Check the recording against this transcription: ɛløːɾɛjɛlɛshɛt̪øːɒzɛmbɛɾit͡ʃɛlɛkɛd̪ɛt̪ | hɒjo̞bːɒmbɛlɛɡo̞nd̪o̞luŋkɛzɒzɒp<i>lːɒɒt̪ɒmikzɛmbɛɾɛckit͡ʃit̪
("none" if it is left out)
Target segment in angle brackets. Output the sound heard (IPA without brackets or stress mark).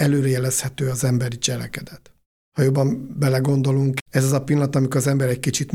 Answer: i